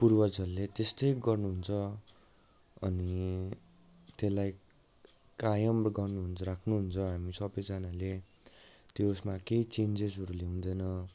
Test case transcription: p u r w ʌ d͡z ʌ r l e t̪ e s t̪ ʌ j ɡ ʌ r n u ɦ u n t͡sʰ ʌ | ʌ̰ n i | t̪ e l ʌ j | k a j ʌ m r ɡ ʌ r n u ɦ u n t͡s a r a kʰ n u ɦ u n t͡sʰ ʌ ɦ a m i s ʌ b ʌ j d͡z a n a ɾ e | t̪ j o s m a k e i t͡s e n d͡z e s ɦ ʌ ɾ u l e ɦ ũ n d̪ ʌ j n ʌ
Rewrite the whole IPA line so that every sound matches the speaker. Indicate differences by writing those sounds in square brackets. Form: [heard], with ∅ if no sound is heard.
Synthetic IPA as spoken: p u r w ʌ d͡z ʌ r l e t̪ e s t̪ ʌ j ɡ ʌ r n u ɦ u n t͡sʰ ʌ | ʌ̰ n i | t̪ e l [a] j | k a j ʌ m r ɡ ʌ r n u ɦ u n t͡s [ʌ] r a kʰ n u ɦ u n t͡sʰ ʌ ɦ a m i s ʌ b ʌ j d͡z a n a [l] e | t̪ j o s m a k e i t͡s e n d͡z e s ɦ ʌ ɾ u l e ɦ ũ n d̪ ʌ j n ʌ